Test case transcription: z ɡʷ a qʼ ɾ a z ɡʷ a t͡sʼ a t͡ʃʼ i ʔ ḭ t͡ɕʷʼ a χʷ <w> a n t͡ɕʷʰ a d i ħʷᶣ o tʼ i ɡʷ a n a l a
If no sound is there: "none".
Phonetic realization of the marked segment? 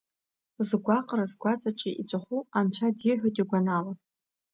u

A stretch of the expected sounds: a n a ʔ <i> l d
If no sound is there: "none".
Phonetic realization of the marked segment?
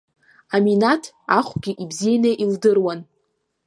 i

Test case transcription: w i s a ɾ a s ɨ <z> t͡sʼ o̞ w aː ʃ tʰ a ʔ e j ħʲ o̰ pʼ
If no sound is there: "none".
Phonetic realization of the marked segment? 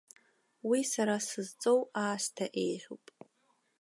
z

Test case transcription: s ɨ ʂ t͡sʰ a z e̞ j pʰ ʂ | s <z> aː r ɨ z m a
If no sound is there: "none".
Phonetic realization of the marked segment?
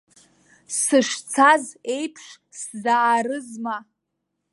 z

